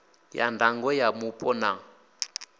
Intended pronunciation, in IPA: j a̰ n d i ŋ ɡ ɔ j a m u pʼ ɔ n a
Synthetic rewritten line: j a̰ n d a ŋ ɡ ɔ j a m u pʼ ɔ n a